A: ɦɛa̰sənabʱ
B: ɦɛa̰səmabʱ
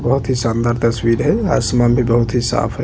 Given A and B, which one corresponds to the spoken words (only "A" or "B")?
B